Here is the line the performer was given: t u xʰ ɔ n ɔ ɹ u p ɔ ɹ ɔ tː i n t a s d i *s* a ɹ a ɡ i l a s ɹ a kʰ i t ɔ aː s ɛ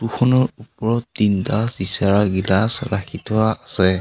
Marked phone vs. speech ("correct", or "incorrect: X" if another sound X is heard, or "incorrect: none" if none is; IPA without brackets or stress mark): correct